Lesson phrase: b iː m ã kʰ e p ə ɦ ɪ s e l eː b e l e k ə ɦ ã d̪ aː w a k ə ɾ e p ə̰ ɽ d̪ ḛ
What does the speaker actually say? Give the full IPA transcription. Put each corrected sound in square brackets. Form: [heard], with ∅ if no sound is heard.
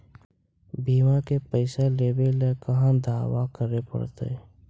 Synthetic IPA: b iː m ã [k] e p ə [∅] ɪ s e l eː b e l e k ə ɦ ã d̪ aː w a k ə ɾ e p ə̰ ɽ [t̪] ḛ